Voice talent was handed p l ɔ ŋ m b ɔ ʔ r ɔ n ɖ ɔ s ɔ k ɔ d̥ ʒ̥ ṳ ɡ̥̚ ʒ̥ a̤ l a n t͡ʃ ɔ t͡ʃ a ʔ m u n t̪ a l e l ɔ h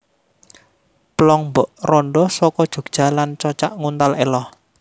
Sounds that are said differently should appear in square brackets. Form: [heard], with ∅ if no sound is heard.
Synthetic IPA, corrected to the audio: p l ɔ ŋ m b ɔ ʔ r ɔ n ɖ ɔ s ɔ k ɔ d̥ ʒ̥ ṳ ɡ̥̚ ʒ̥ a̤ l a n t͡ʃ ɔ t͡ʃ a ʔ [ŋ] u n t̪ a l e l ɔ h